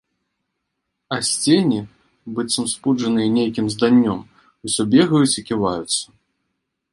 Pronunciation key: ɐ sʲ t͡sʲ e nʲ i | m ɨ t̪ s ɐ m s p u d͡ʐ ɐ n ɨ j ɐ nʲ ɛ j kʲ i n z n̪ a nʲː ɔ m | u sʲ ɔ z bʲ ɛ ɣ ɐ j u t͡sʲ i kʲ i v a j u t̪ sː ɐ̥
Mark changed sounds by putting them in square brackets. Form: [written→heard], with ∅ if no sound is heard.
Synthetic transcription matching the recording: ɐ sʲ t͡sʲ e nʲ i | [m→b] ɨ t̪ s ɐ m s p u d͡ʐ ɐ n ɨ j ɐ nʲ [ɛ→e] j kʲ i [n→m] z [n̪→d̪] a nʲː ɔ m | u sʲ ɔ [z→∅] bʲ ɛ ɣ ɐ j u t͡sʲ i kʲ i v a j u t̪ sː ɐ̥

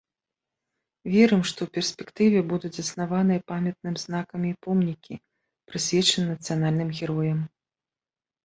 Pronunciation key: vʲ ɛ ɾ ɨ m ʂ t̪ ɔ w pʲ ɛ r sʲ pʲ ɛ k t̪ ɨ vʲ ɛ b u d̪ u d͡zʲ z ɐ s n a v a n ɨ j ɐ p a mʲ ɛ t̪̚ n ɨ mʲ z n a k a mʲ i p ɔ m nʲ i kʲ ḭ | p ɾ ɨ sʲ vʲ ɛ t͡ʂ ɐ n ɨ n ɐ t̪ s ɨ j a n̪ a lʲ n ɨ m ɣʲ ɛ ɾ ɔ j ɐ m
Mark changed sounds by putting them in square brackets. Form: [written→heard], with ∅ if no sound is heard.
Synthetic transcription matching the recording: vʲ ɛ ɾ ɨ m ʂ t̪ ɔ w pʲ ɛ r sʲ pʲ ɛ k t̪ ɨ vʲ ɛ b u d̪ u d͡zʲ z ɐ s n a v a n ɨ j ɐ p a mʲ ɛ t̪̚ n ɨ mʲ z n a k [a→ɐ] mʲ i p ɔ m nʲ i kʲ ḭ | p ɾ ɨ sʲ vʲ ɛ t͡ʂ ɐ n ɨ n ɐ t̪ s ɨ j a n̪ a lʲ n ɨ m ɣʲ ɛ ɾ ɔ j ɐ m

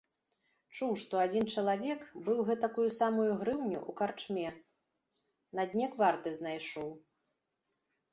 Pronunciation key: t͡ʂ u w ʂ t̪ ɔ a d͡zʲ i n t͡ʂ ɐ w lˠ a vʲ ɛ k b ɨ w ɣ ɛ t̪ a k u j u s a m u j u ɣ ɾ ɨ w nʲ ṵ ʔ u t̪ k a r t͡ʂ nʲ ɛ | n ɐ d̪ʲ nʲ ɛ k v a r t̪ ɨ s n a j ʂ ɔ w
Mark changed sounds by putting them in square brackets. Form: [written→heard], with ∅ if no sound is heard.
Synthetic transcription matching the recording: t͡ʂ u w ʂ t̪ ɔ a d͡zʲ i n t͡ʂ ɐ [w→∅] lˠ a vʲ ɛ k b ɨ w ɣ ɛ t̪ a k u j u s a m u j u ɣ ɾ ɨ w nʲ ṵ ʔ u [t̪→∅] k a r t͡ʂ [nʲ→mʲ] ɛ | n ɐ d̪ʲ nʲ ɛ k v a r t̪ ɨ [s→z] n a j ʂ ɔ w

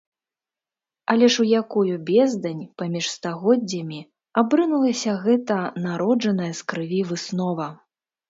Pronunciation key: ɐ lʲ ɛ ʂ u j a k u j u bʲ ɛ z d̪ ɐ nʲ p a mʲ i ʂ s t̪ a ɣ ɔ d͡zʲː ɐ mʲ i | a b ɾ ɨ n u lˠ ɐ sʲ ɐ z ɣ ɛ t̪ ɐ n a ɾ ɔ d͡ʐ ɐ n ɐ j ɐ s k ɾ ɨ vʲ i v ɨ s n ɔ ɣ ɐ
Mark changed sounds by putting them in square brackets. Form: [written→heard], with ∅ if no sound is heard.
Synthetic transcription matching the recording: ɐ lʲ ɛ ʂ u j a k u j u bʲ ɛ z d̪ ɐ nʲ p a mʲ i ʂ s t̪ a ɣ ɔ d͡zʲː ɐ mʲ i | a b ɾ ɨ n u lˠ ɐ sʲ ɐ [z→∅] ɣ ɛ t̪ ɐ n a ɾ ɔ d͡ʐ ɐ n ɐ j ɐ s k ɾ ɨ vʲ i v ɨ s n ɔ [ɣ→v] ɐ

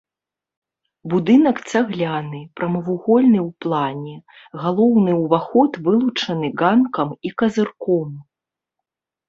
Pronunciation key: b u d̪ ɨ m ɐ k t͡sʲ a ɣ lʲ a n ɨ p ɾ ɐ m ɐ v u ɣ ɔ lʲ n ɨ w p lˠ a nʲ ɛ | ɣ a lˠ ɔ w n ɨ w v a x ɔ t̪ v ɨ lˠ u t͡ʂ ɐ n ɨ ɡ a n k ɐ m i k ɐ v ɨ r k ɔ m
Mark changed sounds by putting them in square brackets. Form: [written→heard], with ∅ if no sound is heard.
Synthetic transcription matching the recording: b u d̪ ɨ [m→n] ɐ k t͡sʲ a ɣ lʲ a n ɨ p ɾ ɐ m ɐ v u ɣ ɔ lʲ n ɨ w p lˠ a nʲ ɛ | ɣ a lˠ ɔ w n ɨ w v a x ɔ t̪ v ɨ lˠ u t͡ʂ ɐ n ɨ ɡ a n k ɐ m i k ɐ [v→z] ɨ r k ɔ m

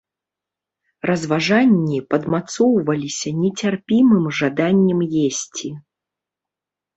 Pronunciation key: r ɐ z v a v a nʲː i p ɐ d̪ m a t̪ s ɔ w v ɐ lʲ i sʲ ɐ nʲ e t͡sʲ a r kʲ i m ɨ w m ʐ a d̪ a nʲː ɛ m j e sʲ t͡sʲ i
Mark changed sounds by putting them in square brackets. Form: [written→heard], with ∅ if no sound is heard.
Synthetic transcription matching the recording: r ɐ z v a [v→ʐ] a nʲː i p ɐ d̪ m a t̪ s ɔ w v ɐ lʲ i sʲ ɐ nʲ [e→ɛ] t͡sʲ a r [kʲ→pʲ] i m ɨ [w→∅] m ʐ a d̪ a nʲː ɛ m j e sʲ t͡sʲ i

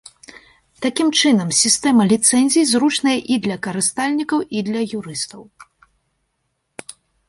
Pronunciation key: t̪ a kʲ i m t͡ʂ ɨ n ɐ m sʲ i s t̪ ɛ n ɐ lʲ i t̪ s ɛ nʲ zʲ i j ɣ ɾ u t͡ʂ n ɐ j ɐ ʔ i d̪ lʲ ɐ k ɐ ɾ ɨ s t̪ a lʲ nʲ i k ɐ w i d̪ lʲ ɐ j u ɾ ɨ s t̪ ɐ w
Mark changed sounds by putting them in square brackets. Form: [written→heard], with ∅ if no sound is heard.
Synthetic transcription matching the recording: t̪ a kʲ i m t͡ʂ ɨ n ɐ m sʲ i s t̪ ɛ [n→m] ɐ lʲ i t̪ s ɛ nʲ zʲ i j [ɣ→z] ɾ u t͡ʂ n ɐ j ɐ ʔ i d̪ lʲ ɐ k ɐ ɾ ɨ s t̪ a lʲ nʲ i k ɐ w i d̪ lʲ ɐ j u ɾ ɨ s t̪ ɐ w

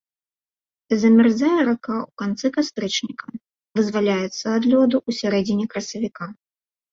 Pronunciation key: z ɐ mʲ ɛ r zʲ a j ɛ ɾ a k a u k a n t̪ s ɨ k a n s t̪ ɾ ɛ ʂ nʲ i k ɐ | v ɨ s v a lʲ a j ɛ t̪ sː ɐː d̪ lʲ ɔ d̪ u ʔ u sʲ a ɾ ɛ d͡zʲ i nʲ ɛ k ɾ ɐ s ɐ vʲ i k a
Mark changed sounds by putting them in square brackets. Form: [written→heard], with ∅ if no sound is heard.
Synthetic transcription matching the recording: z ɐ mʲ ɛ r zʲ a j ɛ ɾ a k a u k a n t̪ s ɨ k a [n→∅] s t̪ ɾ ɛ [ʂ→t͡ʂ] nʲ i k ɐ | v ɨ [s→z] v a lʲ a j ɛ t̪ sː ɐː d̪ lʲ ɔ d̪ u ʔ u sʲ a ɾ ɛ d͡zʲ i nʲ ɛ k ɾ ɐ s ɐ vʲ i k a

